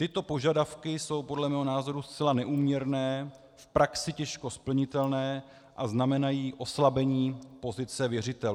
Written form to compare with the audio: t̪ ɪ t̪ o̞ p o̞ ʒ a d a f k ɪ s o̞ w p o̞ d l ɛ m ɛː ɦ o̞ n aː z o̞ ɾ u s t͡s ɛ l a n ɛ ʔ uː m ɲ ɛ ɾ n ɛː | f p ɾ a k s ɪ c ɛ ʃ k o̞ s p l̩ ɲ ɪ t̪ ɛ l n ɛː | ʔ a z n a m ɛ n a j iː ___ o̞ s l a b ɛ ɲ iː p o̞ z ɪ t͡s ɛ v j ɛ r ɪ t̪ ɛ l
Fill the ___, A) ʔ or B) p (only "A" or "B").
A